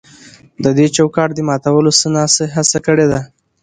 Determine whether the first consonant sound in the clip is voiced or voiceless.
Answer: voiced